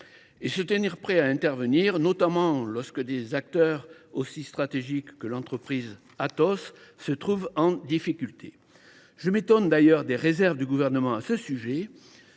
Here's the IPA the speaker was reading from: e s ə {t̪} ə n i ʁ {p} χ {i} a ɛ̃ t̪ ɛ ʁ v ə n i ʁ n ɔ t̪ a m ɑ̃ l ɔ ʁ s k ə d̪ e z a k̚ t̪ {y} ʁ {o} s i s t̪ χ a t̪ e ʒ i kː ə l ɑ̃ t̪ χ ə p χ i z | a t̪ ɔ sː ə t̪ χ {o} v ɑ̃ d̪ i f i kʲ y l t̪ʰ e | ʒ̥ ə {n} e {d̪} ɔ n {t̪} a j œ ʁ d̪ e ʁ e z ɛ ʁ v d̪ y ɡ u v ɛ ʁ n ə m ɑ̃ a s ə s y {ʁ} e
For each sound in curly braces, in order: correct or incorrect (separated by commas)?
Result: correct, correct, incorrect, incorrect, correct, incorrect, incorrect, incorrect, incorrect, incorrect